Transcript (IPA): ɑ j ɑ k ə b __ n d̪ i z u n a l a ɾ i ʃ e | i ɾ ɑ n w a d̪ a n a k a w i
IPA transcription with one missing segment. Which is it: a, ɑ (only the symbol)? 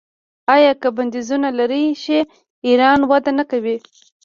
a